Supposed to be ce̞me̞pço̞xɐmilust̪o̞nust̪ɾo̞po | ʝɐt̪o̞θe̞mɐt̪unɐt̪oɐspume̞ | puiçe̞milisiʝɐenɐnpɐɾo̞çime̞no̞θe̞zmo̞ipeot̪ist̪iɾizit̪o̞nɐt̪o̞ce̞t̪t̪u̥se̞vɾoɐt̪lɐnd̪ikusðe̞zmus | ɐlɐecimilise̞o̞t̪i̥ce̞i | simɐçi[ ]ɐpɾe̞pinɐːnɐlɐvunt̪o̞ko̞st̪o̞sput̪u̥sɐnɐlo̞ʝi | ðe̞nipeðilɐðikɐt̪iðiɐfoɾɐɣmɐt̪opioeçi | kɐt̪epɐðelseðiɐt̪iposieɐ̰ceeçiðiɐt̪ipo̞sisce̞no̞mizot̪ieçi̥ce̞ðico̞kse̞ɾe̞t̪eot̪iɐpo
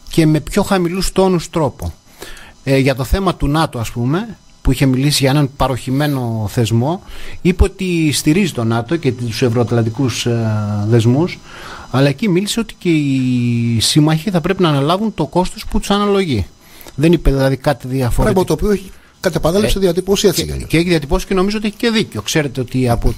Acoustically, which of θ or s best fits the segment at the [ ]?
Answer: θ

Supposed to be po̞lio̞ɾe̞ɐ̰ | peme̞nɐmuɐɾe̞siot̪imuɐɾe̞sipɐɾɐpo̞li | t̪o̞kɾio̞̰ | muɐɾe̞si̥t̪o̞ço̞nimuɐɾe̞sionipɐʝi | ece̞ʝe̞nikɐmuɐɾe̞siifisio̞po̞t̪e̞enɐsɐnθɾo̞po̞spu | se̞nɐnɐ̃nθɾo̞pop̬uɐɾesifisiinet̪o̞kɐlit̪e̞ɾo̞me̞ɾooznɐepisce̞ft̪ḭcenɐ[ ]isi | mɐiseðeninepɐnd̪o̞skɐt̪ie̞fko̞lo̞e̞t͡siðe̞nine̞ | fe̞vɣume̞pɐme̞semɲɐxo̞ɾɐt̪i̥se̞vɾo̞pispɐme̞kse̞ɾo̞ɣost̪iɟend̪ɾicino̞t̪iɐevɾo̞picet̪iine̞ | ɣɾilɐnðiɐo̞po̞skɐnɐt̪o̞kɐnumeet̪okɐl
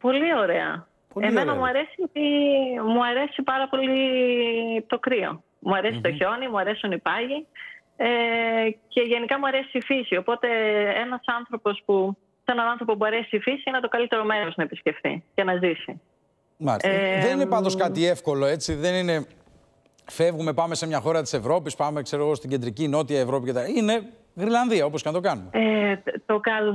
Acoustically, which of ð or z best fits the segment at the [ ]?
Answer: z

